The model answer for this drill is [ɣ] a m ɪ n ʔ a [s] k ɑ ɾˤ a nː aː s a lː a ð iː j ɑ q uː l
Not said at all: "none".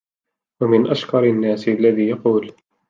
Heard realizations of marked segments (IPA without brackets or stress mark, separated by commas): w, ʃ